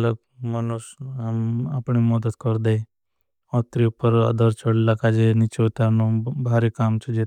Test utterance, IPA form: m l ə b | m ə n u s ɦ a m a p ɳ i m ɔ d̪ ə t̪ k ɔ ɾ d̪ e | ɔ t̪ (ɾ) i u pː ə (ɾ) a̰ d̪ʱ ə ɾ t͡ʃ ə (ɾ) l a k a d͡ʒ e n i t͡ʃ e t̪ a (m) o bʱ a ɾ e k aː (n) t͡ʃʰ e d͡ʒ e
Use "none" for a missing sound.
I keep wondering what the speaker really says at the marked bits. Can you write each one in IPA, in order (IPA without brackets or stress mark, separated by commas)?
ɾ, ɾ, ɽ, n, m